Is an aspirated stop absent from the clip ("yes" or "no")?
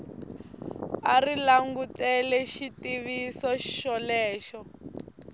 yes